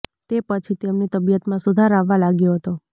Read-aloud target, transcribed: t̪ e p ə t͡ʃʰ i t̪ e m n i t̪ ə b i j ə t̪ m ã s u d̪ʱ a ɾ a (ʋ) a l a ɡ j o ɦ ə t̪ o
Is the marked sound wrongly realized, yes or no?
yes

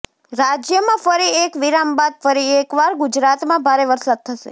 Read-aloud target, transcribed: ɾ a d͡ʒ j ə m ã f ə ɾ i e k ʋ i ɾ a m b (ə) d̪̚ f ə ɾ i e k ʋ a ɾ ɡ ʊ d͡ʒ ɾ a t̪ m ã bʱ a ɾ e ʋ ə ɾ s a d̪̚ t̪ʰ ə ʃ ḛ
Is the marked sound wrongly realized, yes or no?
yes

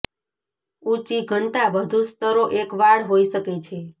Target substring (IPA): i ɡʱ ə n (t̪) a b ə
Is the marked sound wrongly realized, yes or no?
no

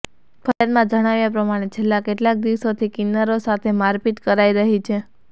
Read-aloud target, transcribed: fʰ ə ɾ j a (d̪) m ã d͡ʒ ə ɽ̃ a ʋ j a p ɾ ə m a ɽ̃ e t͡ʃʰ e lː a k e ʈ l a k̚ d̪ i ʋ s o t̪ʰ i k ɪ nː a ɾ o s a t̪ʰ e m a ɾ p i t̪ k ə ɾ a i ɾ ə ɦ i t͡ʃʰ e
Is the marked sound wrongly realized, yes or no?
no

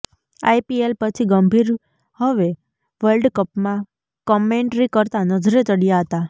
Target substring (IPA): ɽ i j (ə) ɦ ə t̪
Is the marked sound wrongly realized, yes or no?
yes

